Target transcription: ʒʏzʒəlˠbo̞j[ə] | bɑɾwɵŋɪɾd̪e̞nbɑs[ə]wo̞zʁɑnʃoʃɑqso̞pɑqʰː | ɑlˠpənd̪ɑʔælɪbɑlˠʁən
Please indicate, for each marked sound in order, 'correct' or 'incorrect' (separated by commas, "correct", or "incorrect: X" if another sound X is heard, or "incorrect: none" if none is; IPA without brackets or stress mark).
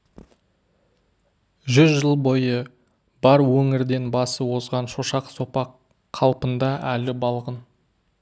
correct, correct